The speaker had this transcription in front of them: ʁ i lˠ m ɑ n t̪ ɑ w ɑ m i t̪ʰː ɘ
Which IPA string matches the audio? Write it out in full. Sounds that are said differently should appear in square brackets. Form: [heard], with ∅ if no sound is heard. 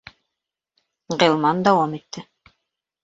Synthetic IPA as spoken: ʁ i lˠ m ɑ n [d̪] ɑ w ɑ m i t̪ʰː ɘ